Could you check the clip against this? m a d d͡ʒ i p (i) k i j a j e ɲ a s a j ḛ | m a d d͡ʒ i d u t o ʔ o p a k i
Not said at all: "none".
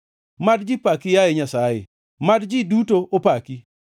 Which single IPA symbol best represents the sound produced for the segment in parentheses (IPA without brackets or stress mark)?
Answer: a